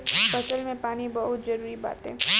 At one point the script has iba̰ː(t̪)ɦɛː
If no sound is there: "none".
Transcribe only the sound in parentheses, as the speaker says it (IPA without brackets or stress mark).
t̪